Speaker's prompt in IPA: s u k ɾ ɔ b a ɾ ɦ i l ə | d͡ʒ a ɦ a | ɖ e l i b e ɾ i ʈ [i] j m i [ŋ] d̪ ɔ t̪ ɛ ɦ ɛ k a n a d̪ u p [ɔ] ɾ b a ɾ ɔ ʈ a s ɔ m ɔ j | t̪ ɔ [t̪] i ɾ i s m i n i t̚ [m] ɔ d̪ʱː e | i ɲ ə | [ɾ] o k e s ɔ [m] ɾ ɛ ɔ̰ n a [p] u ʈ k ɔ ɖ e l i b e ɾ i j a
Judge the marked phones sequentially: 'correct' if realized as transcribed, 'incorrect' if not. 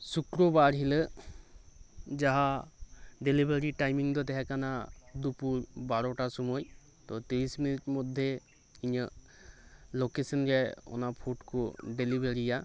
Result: incorrect, correct, incorrect, correct, correct, incorrect, incorrect, incorrect

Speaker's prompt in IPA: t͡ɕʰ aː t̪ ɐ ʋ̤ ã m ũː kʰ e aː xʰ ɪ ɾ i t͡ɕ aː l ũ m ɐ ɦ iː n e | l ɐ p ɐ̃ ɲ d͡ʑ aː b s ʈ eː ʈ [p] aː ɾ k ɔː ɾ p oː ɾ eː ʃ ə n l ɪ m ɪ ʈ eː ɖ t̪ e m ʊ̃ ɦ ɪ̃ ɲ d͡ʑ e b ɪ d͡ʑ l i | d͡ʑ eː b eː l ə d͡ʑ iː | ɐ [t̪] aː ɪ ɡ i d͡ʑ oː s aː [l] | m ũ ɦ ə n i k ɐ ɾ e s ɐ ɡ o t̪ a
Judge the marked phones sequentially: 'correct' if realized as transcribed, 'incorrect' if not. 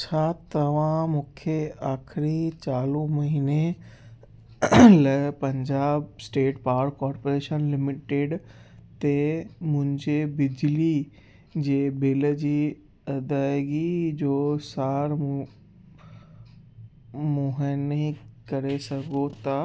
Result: correct, incorrect, incorrect

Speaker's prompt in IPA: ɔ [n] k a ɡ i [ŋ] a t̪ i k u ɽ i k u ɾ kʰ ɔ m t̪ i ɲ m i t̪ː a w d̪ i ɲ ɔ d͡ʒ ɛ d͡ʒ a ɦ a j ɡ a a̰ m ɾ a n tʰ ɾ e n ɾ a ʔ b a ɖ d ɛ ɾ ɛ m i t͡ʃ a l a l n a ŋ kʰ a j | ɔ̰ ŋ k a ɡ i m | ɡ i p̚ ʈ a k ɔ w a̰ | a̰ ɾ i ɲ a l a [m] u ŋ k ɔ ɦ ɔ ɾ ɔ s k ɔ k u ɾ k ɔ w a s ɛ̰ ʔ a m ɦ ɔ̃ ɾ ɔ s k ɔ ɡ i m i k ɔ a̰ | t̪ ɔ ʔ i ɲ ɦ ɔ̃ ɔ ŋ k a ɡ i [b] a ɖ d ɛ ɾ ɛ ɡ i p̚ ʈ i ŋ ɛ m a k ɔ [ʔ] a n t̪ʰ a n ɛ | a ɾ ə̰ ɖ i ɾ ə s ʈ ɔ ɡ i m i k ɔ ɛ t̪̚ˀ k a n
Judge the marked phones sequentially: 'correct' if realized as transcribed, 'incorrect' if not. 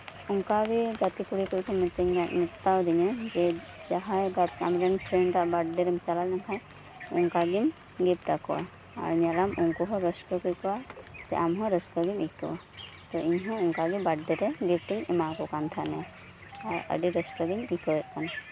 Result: incorrect, incorrect, correct, correct, incorrect

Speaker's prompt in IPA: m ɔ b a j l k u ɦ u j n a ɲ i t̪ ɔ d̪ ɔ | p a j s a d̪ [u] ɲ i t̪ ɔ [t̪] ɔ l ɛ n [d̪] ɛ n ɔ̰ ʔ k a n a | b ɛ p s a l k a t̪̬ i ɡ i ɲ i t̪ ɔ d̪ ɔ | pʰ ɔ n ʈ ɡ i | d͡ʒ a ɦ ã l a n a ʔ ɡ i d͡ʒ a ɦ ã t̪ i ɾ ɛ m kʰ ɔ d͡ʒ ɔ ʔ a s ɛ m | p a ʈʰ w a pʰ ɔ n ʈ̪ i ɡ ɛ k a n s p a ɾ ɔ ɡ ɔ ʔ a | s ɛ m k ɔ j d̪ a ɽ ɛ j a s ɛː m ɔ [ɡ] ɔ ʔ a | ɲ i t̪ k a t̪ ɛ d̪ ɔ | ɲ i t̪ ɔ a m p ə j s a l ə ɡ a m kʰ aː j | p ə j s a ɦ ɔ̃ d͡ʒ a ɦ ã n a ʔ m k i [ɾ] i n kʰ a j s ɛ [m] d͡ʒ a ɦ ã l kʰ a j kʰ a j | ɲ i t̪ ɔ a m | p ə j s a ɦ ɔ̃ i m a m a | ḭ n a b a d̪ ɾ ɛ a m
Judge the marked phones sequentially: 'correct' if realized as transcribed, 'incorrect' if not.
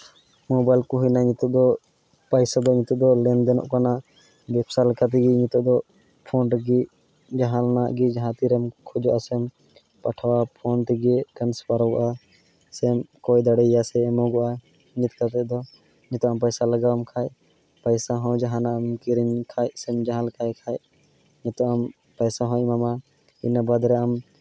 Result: incorrect, incorrect, correct, correct, correct, correct

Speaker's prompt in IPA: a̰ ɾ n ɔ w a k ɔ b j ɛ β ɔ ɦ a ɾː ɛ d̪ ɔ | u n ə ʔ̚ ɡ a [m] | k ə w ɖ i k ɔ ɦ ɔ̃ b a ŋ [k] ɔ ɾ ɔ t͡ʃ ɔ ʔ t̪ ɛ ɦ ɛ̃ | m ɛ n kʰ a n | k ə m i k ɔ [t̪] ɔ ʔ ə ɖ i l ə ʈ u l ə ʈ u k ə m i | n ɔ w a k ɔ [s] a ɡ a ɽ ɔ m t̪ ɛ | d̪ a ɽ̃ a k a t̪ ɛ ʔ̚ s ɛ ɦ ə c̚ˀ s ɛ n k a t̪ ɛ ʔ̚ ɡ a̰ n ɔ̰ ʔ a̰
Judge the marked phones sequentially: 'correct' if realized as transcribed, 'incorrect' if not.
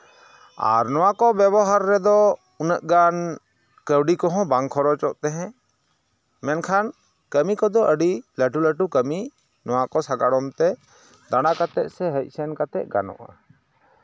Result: incorrect, incorrect, incorrect, correct

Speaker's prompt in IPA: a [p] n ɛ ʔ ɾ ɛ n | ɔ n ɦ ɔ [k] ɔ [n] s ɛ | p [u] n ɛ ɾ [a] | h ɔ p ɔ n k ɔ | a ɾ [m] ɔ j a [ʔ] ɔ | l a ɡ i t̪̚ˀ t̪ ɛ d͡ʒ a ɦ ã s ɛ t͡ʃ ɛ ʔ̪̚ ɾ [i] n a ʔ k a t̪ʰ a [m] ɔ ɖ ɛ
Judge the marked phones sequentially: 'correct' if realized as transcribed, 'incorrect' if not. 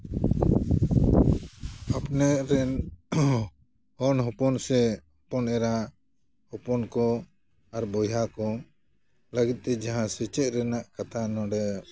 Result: correct, incorrect, correct, incorrect, correct, incorrect, incorrect, incorrect, incorrect

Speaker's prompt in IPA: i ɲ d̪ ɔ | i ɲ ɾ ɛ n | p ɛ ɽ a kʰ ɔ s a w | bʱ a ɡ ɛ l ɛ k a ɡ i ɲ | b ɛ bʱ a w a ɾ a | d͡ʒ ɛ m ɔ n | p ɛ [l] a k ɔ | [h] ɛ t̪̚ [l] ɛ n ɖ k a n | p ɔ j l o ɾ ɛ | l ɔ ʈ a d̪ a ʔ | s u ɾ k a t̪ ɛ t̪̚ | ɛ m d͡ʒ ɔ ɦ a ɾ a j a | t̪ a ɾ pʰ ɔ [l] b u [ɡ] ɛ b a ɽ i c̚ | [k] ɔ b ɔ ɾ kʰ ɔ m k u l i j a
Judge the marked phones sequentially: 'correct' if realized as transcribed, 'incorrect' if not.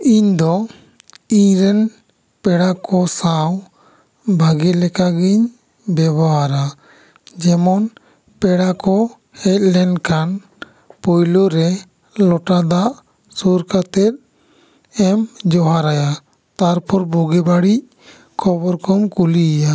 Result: incorrect, correct, correct, incorrect, correct, incorrect

